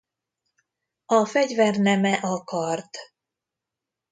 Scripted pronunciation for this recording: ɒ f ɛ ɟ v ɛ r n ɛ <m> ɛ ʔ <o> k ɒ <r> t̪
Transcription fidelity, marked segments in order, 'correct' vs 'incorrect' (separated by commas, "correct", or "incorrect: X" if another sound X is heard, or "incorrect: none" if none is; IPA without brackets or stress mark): correct, incorrect: ɒ, correct